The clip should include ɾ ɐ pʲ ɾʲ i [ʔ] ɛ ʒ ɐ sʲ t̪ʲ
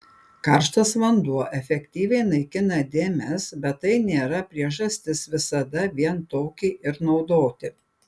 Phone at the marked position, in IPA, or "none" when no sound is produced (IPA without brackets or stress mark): none